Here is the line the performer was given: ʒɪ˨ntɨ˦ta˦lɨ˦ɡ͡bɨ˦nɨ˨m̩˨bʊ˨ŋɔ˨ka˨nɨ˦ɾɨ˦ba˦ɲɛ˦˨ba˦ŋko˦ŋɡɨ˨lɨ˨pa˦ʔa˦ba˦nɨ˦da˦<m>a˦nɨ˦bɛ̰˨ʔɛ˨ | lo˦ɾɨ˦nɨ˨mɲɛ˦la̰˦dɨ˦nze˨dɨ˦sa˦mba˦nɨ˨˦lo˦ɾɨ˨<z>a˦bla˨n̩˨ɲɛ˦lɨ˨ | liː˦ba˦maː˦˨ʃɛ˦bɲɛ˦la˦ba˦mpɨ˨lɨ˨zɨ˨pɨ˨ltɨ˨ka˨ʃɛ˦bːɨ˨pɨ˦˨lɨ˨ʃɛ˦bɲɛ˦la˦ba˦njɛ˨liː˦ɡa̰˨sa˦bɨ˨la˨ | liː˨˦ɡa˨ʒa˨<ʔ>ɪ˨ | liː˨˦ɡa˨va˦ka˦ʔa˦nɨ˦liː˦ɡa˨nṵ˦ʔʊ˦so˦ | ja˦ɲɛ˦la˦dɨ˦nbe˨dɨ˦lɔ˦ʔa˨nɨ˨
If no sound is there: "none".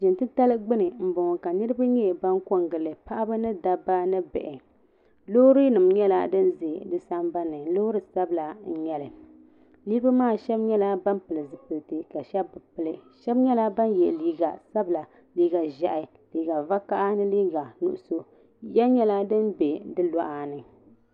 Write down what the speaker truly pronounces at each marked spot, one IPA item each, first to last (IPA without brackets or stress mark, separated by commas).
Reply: b, s, ʔ